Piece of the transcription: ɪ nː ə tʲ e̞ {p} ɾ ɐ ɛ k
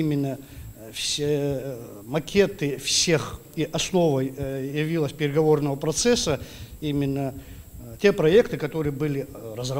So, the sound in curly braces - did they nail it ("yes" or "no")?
yes